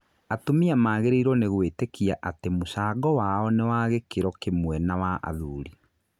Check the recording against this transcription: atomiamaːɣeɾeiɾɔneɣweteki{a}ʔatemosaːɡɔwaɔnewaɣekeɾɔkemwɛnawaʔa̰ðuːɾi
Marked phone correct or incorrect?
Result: correct